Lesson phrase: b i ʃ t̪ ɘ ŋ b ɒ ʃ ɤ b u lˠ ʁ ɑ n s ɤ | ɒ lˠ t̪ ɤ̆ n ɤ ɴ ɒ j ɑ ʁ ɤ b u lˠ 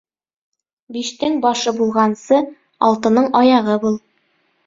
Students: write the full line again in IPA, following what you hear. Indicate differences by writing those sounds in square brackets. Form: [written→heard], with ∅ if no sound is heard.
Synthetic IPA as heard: b i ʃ t̪ ɘ ŋ b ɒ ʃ ɤ b u lˠ ʁ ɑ n s ɤ | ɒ lˠ t̪ ɤ̆ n ɤ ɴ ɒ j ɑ ʁ ɤ b u lˠ

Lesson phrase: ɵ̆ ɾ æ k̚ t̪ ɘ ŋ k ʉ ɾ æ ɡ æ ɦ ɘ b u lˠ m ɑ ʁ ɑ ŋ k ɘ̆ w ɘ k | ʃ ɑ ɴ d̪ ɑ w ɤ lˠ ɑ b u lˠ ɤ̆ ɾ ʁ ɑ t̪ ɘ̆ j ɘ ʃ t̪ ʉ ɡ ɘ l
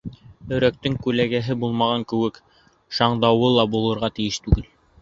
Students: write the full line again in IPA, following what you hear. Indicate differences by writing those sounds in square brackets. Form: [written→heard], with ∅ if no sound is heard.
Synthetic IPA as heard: ɵ̆ ɾ æ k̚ t̪ ɘ ŋ k ʉ [ɾ→l] æ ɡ æ ɦ ɘ b u lˠ m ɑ ʁ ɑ ŋ k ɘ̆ w ɘ k | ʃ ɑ ɴ d̪ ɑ w ɤ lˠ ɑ b u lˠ ɤ̆ ɾ ʁ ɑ t̪ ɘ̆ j ɘ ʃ t̪ ʉ ɡ ɘ l

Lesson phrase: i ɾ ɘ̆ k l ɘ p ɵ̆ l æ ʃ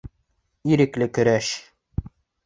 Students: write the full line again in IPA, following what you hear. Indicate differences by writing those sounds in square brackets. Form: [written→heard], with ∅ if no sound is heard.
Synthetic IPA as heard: i ɾ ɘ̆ k l ɘ [p→k] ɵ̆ [l→ɾ] æ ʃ

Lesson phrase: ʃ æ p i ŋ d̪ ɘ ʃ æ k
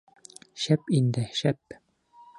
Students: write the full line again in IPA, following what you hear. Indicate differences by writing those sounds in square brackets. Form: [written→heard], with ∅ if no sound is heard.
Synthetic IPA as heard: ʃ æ p i [ŋ→n] d̪ ɘ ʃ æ [k→p]

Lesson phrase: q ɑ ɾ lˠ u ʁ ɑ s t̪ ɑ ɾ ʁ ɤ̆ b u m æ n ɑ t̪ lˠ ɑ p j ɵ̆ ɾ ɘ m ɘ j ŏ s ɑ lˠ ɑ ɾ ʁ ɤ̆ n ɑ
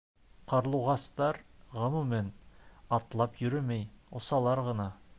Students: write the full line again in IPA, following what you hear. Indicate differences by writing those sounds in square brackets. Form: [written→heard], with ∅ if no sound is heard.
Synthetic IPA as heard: q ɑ ɾ lˠ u ʁ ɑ s t̪ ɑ ɾ ʁ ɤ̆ [b→m] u m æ n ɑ t̪ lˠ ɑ p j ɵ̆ ɾ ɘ m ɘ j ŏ s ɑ lˠ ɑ ɾ ʁ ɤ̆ n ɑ

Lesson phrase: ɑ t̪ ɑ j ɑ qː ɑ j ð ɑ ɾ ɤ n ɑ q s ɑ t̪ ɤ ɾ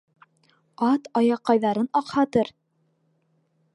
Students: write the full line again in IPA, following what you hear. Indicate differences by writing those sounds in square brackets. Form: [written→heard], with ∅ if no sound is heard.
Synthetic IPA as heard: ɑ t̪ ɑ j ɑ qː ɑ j ð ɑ ɾ ɤ n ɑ q [s→h] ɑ t̪ ɤ ɾ

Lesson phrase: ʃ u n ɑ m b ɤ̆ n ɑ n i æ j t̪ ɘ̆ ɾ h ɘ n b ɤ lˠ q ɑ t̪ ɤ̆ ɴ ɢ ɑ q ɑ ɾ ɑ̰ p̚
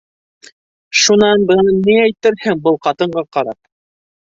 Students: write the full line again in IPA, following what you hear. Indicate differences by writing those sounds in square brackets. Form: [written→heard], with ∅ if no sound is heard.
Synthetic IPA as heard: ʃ u n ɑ [m→n] b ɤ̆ n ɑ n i æ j t̪ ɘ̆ ɾ h ɘ [n→ŋ] b ɤ lˠ q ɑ t̪ ɤ̆ ɴ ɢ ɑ q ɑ ɾ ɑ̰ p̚

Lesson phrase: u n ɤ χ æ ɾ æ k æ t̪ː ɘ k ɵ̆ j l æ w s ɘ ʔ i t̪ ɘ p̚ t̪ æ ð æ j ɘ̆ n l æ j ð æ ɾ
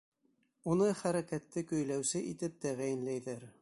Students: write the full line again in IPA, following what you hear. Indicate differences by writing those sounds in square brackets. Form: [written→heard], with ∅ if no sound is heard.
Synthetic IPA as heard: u n ɤ χ æ ɾ æ k æ t̪ː ɘ k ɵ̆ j l æ w s ɘ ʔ i t̪ ɘ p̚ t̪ æ [ð→ʁ] æ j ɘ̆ n l æ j ð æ ɾ

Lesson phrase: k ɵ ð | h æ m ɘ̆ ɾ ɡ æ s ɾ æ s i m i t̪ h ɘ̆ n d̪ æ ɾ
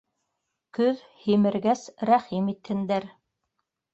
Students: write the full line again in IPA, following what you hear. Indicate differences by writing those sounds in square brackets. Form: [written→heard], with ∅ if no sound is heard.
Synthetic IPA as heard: k ɵ ð | h [æ→i] m ɘ̆ ɾ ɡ æ s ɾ æ [s→χ] i m i t̪ h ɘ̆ n d̪ æ ɾ

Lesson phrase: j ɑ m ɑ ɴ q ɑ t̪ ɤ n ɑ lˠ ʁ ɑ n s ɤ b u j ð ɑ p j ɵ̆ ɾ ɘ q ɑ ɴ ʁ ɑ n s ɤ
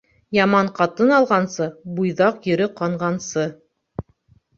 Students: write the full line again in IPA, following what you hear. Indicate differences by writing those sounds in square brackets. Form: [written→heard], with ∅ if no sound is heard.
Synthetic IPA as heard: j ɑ m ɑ ɴ q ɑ t̪ ɤ n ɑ lˠ ʁ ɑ n s ɤ b u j ð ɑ [p→q] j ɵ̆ ɾ ɘ q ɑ ɴ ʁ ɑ n s ɤ

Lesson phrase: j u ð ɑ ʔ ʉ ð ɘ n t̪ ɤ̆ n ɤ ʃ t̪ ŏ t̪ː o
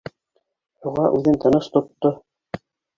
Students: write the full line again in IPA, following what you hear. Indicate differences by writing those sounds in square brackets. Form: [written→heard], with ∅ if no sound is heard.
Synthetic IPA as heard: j u [ð→ʁ] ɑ ʔ ʉ ð ɘ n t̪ ɤ̆ n ɤ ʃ t̪ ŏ t̪ː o

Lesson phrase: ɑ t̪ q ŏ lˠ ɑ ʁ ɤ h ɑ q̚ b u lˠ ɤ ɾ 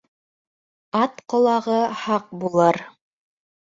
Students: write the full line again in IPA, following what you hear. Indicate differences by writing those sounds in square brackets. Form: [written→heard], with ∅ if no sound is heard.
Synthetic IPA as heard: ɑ t̪ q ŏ lˠ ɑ ʁ ɤ h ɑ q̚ b u lˠ ɤ ɾ

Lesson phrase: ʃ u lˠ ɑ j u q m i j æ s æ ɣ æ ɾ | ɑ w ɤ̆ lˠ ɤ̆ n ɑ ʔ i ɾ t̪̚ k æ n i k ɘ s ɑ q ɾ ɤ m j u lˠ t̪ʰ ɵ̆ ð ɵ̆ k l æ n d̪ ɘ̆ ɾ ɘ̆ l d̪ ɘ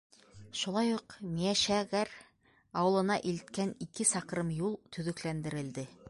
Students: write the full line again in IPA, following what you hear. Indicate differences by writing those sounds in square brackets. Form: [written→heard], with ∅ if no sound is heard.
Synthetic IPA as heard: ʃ u lˠ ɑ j u q m i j æ [s→ʃ] æ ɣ æ ɾ | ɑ w ɤ̆ lˠ ɤ̆ n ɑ ʔ i [ɾ→l] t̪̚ k æ n i k ɘ s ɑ q ɾ ɤ m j u lˠ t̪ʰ ɵ̆ ð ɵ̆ k l æ n d̪ ɘ̆ ɾ ɘ̆ l d̪ ɘ

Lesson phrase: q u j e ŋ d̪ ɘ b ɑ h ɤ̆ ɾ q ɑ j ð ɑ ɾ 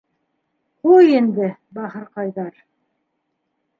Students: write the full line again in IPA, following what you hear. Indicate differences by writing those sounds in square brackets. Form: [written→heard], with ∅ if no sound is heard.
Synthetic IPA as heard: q u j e [ŋ→n] d̪ ɘ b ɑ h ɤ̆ ɾ q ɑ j ð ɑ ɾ

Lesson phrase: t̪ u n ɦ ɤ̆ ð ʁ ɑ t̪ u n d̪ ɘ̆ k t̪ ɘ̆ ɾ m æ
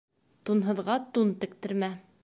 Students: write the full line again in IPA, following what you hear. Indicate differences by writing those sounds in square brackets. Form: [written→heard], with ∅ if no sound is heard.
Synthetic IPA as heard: t̪ u n ɦ ɤ̆ ð ʁ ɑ t̪ u n [d̪→t̪] ɘ̆ k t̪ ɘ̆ ɾ m æ

